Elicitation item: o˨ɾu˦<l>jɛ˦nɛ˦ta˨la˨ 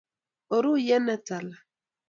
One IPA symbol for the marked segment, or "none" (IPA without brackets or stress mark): none